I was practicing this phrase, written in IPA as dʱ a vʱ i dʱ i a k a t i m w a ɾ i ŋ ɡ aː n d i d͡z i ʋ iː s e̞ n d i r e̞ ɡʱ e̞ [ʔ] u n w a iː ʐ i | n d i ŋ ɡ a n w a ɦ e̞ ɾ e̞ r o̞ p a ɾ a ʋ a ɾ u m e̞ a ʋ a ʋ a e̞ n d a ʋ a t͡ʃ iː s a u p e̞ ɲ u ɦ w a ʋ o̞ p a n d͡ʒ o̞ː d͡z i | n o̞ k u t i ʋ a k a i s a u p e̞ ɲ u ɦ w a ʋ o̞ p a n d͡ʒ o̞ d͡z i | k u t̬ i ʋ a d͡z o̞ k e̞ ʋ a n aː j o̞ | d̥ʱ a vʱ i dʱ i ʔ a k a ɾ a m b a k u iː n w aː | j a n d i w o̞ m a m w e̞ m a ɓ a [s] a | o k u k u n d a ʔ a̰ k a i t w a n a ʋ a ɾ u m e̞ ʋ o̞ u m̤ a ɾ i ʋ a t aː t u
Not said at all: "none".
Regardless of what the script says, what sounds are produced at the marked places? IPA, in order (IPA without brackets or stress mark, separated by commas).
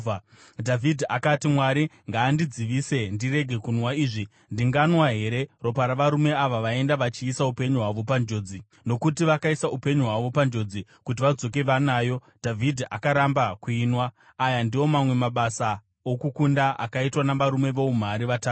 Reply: k, s